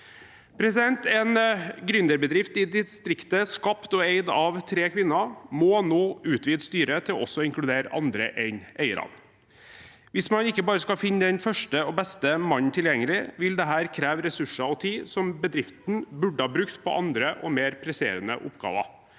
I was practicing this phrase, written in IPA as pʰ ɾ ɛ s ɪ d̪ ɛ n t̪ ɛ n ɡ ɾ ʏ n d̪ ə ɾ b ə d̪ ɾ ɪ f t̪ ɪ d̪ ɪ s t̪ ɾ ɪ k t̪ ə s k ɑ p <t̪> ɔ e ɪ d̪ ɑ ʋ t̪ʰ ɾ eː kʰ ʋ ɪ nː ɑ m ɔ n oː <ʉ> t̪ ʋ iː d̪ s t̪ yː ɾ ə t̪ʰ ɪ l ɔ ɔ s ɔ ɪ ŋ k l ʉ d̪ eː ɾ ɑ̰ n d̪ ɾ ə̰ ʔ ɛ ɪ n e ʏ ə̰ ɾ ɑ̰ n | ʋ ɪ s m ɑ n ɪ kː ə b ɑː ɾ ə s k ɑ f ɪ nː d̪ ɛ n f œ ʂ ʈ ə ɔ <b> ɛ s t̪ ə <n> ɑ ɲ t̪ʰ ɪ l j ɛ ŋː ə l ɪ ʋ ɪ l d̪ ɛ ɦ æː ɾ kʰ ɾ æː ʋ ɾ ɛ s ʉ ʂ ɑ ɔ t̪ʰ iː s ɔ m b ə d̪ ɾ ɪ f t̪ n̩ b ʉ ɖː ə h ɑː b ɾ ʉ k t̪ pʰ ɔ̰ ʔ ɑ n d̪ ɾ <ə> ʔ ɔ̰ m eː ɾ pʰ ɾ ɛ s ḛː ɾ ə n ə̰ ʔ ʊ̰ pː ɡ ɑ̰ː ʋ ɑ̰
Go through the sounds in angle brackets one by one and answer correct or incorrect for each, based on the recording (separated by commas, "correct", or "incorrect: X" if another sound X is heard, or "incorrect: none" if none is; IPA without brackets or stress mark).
correct, incorrect: ʉː, correct, incorrect: m, correct